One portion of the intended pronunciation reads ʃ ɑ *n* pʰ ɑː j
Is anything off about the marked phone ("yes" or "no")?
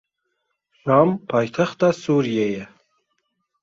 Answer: yes